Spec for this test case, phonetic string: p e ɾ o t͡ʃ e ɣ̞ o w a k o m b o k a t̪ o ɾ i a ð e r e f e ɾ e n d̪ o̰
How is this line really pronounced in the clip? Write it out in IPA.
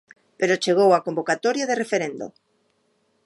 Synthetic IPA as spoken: p e ɾ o t͡ʃ e ɣ̞ o w a k o m b o k a t̪ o ɾ j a ð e r e f e ɾ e n d̪ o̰